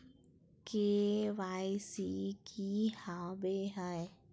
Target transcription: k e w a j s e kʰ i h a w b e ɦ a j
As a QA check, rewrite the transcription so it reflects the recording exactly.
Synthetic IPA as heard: k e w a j s i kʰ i h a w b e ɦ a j